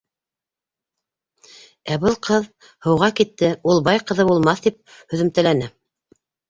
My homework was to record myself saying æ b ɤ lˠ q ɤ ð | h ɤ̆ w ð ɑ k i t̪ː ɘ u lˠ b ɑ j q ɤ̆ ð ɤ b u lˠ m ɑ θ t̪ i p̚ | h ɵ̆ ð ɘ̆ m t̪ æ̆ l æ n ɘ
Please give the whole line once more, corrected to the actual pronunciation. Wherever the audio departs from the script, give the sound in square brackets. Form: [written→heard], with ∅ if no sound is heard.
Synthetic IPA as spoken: æ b ɤ lˠ q ɤ ð | h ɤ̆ w [ð→ʁ] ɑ k i t̪ː ɘ u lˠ b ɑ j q ɤ̆ ð ɤ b u lˠ m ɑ θ t̪ i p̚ | h ɵ̆ ð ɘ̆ m t̪ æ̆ l æ n ɘ